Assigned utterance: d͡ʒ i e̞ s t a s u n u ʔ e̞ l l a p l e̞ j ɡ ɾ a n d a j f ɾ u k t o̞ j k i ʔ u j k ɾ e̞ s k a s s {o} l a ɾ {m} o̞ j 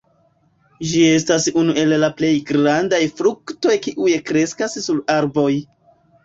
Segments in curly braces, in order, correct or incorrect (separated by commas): incorrect, incorrect